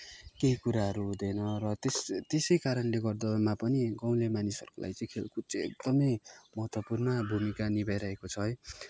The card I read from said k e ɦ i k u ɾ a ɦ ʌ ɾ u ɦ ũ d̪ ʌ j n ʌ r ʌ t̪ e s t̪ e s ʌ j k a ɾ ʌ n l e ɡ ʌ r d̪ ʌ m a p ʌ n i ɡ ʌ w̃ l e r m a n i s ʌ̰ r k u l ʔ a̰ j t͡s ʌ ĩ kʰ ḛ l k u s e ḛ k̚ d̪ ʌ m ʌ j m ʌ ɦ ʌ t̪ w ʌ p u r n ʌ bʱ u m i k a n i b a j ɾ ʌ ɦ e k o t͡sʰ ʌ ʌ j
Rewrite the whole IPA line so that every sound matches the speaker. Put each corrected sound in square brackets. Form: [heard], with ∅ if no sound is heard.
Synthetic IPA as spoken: k e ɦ i k u ɾ a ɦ ʌ ɾ u ɦ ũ d̪ ʌ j n ʌ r ʌ t̪ e s t̪ e s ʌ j k a ɾ ʌ n l e ɡ ʌ r d̪ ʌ m a p ʌ n i ɡ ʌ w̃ l e [∅] m a n i s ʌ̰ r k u l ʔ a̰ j t͡s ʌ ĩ kʰ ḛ l k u [t͡s] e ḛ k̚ d̪ ʌ m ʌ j m ʌ ɦ ʌ t̪ w ʌ p u r n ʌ bʱ u m i k a n i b a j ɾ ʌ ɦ e k o t͡sʰ ʌ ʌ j